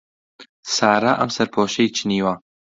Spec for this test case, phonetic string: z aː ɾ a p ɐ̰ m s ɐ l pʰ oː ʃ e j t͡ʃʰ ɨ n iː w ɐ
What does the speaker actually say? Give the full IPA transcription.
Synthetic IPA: s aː ɾ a ʔ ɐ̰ m s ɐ ɾ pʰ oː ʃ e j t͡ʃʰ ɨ n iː w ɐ